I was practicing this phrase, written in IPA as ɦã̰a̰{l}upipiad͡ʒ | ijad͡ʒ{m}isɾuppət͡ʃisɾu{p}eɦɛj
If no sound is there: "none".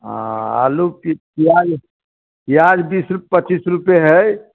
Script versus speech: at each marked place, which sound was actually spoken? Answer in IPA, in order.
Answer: l, b, p

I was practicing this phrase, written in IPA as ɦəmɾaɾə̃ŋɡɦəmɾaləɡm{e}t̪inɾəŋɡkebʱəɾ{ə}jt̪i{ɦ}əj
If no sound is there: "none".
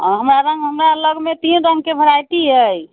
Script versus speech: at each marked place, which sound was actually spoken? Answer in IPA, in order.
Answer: e, a, ɦ

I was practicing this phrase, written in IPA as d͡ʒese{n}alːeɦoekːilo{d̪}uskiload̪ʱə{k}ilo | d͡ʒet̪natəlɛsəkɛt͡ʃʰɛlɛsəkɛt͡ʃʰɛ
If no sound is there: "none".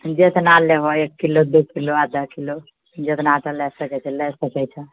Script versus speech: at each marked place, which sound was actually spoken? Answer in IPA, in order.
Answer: n, d̪, k

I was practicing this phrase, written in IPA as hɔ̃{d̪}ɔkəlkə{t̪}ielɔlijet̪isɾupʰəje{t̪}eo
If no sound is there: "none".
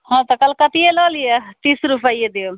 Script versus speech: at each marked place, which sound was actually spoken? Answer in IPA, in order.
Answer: t̪, t̪, d̪

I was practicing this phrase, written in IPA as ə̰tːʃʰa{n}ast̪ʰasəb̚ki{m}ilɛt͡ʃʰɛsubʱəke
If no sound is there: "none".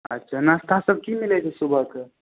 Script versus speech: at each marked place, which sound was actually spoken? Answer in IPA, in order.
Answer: n, m

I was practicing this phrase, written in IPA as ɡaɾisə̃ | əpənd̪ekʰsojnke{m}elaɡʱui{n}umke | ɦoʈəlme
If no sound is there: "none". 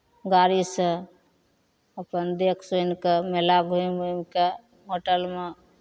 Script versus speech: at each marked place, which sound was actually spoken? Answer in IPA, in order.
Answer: m, m

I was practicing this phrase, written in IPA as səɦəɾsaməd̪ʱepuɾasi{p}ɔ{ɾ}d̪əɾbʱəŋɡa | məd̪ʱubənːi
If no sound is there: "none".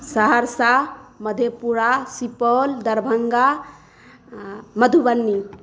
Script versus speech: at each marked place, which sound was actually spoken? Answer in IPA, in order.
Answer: p, l

